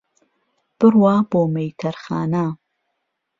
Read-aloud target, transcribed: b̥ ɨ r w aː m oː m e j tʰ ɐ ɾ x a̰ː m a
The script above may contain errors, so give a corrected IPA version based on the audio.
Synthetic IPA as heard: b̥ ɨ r w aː b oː m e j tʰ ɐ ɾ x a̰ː n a

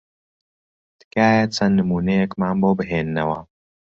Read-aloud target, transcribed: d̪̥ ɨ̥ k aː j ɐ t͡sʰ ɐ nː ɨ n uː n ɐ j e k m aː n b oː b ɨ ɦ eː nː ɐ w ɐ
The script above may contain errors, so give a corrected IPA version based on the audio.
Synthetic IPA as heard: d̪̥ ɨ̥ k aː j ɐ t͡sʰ ɐ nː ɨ m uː n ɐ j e k m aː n b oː b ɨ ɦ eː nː ɐ w ɐ

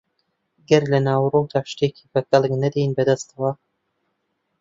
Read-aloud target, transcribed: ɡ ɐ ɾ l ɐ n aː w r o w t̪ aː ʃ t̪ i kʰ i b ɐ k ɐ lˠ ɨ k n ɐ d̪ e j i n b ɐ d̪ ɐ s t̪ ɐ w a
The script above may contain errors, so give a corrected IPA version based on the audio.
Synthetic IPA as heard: ɡ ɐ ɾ l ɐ n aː w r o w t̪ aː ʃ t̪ e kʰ i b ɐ k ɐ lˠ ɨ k n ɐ d̪ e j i n b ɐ d̪ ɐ s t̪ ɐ w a

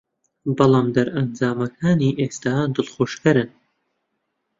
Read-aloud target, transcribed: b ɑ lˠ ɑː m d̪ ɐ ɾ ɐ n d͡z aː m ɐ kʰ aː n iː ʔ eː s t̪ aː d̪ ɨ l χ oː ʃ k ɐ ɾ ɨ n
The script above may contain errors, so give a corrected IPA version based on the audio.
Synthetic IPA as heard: b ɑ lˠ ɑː m d̪ ɐ ɾ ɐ n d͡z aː m ɐ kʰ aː n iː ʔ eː s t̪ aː d̪ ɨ l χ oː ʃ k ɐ ɾ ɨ n

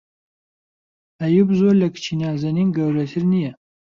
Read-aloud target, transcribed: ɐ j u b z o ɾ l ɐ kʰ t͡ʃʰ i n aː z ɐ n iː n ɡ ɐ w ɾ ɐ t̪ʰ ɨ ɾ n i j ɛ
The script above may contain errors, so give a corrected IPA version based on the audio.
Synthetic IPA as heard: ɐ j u b z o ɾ l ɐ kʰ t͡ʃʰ i n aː z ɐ n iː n ɡ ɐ w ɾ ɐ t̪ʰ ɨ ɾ n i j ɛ

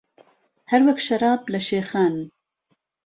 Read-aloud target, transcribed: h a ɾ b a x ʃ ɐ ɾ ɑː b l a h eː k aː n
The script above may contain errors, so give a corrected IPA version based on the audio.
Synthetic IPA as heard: h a ɾ w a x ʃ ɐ ɾ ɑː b l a ʃ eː x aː n

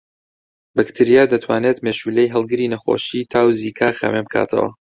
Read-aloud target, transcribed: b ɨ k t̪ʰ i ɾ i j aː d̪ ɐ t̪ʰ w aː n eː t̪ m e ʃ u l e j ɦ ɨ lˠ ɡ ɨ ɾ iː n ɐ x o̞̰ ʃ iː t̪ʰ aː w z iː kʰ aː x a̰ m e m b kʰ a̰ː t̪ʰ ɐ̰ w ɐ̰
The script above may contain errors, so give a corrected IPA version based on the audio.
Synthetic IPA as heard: b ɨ k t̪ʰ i ɾ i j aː d̪ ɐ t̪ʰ w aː n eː t̪ m e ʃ u l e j ɦ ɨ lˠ ɡ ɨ ɾ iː n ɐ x o̞̰ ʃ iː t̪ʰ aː w z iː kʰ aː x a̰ m e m b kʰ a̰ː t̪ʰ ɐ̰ w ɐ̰

